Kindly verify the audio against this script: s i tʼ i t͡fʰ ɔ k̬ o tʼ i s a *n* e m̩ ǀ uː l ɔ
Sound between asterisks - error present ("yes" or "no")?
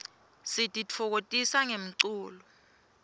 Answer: yes